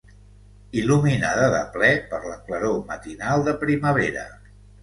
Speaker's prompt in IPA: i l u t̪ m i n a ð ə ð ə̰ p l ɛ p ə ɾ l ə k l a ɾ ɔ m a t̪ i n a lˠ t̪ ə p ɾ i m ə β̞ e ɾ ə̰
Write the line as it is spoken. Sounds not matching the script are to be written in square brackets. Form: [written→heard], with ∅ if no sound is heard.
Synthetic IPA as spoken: i l u [t̪→∅] m i n a ð ə ð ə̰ p l ɛ p ə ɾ l ə k l [a→ə] ɾ [ɔ→o] m [a→ə] t̪ i n a lˠ [t̪→d̪] ə p ɾ i m ə β̞ e ɾ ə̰